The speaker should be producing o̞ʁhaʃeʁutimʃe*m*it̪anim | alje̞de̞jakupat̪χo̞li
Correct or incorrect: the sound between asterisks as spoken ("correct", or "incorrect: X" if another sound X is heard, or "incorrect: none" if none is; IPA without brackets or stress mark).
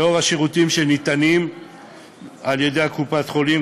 incorrect: n